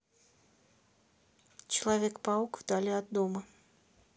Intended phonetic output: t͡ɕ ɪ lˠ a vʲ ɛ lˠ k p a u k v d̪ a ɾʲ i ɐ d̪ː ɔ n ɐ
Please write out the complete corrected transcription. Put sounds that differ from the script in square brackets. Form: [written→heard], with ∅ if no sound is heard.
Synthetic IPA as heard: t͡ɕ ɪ lˠ a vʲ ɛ [lˠ→∅] k p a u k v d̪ a [ɾʲ→lʲ] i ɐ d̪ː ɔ [n→m] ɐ